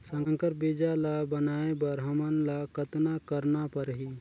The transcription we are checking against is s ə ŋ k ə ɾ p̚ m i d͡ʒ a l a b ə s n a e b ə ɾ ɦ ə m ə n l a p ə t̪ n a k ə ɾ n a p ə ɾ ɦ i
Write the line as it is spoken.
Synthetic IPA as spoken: s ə ŋ k ə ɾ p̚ b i d͡ʒ a l a b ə n a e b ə ɾ ɦ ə m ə n l a k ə t̪ n a k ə ɾ n a p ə ɾ ɦ i